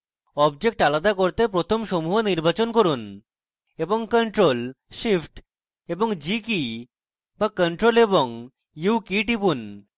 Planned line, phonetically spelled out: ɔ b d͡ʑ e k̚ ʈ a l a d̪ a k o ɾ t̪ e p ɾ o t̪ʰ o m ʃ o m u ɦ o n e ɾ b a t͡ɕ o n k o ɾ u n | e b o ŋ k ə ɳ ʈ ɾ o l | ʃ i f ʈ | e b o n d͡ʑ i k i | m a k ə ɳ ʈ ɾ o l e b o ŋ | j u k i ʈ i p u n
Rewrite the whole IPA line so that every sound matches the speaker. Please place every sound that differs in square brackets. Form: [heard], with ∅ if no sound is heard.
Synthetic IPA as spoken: ɔ b d͡ʑ e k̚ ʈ a l a d̪ a k o ɾ t̪ e p ɾ o t̪ʰ o m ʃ o m u ɦ o n [i] ɾ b a t͡ɕ o n k o ɾ u n | e b o ŋ k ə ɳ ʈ ɾ o l | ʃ i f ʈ | e b o [ŋ] d͡ʑ i k i | [b] a k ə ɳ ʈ ɾ o l e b o ŋ | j u k i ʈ i p u n